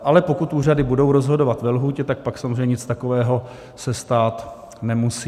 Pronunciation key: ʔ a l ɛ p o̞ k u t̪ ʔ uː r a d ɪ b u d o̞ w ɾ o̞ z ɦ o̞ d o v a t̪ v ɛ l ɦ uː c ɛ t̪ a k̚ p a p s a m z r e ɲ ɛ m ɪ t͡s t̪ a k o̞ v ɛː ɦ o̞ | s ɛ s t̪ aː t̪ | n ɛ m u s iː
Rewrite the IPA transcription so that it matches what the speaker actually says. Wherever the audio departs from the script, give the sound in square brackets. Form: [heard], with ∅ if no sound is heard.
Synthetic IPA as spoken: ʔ a l ɛ p o̞ k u t̪ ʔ uː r a d ɪ b u d o̞ w ɾ o̞ z ɦ o̞ d o v a t̪ v ɛ l ɦ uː c ɛ t̪ a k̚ p a [k] s a m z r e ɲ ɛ [ɲ] ɪ t͡s t̪ a k o̞ v ɛː ɦ o̞ | s ɛ s t̪ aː t̪ | n ɛ m u s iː